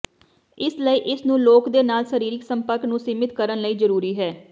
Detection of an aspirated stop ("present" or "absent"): absent